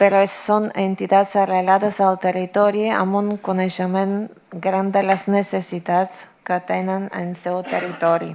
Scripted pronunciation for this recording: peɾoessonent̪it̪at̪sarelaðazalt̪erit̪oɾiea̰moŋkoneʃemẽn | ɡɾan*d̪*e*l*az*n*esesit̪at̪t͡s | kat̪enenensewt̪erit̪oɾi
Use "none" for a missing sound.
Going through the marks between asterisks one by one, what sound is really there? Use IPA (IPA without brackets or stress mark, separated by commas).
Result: d̪, l, n